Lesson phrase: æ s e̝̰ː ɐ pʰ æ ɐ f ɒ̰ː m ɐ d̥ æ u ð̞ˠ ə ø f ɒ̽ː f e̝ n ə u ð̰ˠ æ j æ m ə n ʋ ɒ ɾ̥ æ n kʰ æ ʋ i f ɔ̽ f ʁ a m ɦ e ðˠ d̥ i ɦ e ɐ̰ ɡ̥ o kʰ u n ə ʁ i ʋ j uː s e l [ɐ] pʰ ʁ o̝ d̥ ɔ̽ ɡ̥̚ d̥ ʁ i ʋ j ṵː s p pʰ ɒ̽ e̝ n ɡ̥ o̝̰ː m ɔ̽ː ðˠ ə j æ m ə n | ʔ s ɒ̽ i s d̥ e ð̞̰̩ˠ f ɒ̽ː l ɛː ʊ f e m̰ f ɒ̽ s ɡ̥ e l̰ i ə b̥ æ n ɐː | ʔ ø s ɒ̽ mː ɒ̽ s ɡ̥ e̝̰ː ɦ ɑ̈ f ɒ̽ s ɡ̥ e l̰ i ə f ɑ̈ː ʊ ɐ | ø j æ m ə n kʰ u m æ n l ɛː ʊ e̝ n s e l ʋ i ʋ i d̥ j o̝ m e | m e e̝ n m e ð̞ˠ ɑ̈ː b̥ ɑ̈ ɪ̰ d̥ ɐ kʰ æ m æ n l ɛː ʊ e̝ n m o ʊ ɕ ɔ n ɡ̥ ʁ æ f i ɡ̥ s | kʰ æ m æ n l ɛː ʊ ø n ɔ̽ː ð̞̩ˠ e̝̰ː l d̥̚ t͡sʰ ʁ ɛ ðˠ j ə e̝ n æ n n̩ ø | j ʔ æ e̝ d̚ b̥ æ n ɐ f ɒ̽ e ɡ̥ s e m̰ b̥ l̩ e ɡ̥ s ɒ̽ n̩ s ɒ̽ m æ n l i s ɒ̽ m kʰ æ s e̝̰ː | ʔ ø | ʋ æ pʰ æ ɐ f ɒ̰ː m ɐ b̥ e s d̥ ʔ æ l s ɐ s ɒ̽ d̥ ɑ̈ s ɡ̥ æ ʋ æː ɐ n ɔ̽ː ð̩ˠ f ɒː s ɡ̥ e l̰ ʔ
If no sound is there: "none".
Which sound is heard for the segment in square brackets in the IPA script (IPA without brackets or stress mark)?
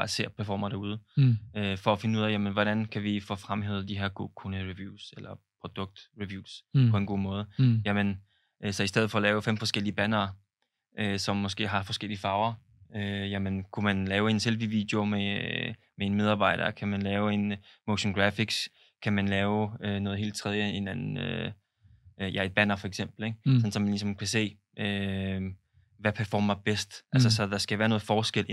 ɐ